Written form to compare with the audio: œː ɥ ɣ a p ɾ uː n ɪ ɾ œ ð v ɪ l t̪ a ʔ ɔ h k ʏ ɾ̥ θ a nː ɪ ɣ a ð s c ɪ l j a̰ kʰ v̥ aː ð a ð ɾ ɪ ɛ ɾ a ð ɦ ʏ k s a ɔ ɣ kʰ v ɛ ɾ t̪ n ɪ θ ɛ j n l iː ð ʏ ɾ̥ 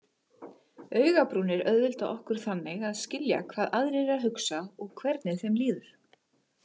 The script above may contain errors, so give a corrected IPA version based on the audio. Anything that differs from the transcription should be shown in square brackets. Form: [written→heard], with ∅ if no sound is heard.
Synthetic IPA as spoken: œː ɥ ɣ a p ɾ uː n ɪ ɾ œ ð v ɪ l t̪ a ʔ ɔ h k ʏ ɾ̥ θ a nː ɪ ɣ a ð s c ɪ l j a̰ kʰ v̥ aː ð a ð ɾ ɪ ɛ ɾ a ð ɦ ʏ k s a ɔ ɣ kʰ v ɛ ɾ t̪ n ɪ θ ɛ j [n→m] l iː ð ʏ ɾ̥